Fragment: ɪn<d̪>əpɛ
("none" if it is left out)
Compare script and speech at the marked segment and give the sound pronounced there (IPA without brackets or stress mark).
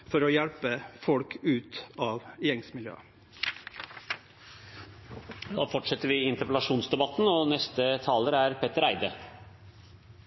t̪